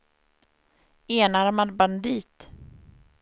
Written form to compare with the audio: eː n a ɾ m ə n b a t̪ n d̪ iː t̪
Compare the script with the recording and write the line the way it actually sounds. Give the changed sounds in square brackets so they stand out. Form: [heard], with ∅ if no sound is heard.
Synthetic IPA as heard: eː n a ɾ m [a] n b a [∅] n d̪ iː t̪